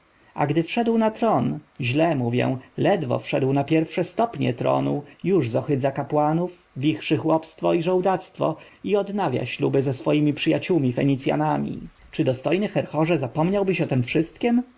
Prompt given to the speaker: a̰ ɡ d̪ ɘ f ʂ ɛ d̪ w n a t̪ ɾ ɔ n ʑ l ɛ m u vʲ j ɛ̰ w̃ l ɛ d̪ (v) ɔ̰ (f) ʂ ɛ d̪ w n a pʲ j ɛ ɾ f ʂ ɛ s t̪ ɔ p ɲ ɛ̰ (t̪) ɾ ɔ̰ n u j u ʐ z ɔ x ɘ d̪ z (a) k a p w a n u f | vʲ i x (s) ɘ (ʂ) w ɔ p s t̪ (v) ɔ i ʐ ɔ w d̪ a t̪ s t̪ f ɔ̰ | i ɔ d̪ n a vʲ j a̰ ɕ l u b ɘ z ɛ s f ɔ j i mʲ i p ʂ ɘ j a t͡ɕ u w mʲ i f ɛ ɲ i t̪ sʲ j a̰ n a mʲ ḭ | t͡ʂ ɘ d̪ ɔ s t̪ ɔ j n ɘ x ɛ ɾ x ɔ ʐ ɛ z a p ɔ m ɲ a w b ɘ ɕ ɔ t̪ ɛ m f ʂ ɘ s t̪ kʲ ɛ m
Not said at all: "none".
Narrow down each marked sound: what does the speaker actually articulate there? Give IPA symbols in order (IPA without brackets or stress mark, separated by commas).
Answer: v, f, t̪, a, ʂ, x, f